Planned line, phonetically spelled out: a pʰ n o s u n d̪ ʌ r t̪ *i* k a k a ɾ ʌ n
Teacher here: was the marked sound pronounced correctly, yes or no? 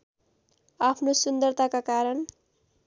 no